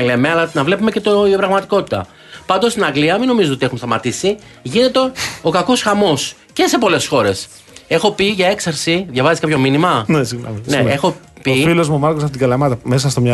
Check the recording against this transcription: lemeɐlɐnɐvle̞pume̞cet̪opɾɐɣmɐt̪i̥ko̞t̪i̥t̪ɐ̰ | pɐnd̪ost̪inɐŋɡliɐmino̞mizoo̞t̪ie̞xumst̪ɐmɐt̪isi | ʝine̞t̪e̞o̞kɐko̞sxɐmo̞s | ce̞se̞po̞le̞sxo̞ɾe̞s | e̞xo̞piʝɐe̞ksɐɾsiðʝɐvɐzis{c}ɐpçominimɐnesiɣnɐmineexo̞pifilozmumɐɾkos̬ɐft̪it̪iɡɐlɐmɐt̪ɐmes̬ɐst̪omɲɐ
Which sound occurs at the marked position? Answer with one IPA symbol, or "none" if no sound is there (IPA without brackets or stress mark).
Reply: k